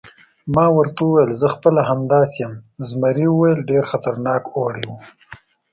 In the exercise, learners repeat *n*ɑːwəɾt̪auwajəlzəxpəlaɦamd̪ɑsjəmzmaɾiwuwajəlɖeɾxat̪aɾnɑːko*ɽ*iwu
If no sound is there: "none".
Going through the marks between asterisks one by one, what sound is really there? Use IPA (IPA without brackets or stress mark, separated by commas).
m, ɽ